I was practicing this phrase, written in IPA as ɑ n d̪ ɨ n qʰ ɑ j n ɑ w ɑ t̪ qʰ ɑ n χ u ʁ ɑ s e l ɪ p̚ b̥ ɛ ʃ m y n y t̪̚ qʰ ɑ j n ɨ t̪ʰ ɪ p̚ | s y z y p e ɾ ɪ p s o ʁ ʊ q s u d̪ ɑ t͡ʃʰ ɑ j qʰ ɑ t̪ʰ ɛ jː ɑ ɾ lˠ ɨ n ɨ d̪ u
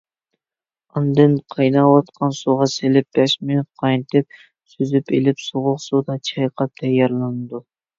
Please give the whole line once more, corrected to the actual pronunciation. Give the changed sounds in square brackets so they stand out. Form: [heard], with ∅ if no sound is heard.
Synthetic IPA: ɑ n d̪ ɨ n qʰ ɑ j n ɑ w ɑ t̪ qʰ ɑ n [s] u ʁ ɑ s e l ɪ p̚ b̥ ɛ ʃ m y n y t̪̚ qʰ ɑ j n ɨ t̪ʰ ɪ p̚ | s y z y p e [l] ɪ p s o ʁ ʊ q s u d̪ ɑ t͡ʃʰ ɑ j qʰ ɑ t̪ʰ ɛ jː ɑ ɾ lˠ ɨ n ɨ d̪ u